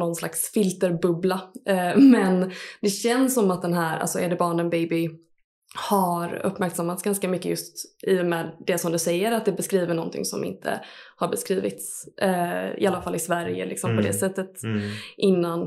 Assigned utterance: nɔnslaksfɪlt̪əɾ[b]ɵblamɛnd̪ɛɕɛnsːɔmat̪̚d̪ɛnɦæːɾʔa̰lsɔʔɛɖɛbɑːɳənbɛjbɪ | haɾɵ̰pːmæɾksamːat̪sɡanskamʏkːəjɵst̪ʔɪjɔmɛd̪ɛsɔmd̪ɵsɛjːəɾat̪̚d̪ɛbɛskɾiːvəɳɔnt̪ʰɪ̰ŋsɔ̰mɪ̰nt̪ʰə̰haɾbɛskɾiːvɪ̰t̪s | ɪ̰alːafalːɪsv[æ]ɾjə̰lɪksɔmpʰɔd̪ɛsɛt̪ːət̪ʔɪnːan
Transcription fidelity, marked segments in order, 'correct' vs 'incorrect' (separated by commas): correct, correct